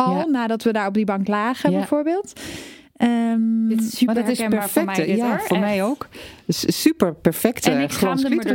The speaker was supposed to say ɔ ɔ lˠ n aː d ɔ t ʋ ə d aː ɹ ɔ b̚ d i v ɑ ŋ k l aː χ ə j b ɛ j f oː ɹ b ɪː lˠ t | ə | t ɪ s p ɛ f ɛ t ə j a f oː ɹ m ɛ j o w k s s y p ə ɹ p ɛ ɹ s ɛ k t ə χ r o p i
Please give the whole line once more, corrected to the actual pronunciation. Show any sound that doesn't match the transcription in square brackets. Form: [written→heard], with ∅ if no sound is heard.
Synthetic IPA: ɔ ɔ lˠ n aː d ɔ t ʋ ə d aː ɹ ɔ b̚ d i [v→b] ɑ ŋ k l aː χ ə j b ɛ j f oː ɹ b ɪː lˠ t | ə | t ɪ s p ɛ f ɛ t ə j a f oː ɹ m ɛ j o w k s s y p ə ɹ p ɛ ɹ [s→f] ɛ k t ə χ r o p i